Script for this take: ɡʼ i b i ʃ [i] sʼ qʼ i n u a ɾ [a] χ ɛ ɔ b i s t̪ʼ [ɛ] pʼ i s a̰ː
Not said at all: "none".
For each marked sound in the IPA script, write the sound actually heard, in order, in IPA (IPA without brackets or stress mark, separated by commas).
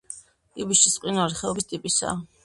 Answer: i, i, i